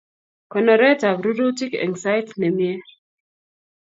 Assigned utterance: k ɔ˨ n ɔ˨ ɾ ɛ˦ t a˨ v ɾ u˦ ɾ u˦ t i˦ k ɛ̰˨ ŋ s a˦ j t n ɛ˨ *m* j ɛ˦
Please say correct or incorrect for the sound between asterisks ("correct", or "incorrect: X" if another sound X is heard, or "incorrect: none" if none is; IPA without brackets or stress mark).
correct